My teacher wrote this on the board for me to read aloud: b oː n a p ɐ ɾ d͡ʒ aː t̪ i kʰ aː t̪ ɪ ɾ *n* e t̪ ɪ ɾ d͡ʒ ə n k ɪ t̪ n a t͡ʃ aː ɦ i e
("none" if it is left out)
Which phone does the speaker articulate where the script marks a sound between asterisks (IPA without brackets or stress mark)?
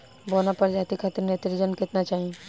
n